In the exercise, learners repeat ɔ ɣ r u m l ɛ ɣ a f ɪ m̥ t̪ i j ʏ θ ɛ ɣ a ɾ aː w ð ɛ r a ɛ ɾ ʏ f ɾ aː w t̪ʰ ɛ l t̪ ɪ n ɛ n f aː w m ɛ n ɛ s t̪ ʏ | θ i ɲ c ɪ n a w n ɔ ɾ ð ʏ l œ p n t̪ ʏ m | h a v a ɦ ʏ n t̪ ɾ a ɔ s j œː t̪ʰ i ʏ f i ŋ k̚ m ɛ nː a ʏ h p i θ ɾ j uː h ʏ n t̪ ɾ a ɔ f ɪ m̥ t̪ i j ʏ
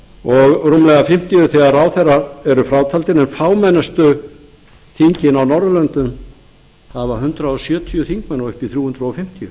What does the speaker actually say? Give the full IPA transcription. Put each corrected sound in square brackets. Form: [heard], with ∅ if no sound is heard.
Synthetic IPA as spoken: ɔ ɣ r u m l ɛ ɣ a f ɪ m̥ t̪ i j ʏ θ ɛ ɣ a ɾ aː w [θ] ɛ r a ɛ ɾ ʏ f ɾ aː w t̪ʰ [a] l t̪ ɪ n ɛ n f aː w m ɛ n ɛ s t̪ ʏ | θ i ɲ c ɪ n a w n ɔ ɾ ð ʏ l œ [∅] n t̪ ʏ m | h a v a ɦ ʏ n t̪ ɾ a ɔ s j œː t̪ʰ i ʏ [θ] i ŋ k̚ m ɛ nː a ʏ h p i θ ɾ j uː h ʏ n t̪ ɾ a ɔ f ɪ m̥ t̪ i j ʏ